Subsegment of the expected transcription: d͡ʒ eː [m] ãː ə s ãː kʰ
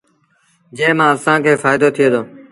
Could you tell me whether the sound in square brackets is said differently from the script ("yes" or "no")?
no